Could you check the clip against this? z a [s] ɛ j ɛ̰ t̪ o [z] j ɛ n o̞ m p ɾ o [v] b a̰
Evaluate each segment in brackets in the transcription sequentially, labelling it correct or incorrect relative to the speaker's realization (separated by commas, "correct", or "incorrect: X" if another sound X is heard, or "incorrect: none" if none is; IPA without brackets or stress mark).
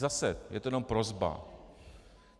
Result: correct, incorrect: none, incorrect: z